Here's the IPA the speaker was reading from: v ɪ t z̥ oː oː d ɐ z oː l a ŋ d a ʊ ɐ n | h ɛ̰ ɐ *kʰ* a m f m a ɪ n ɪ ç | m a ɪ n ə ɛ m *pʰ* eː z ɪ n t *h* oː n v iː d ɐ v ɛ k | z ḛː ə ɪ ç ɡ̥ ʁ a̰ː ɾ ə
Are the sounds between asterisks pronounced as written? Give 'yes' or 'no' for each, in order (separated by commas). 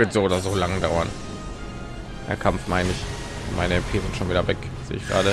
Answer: yes, yes, no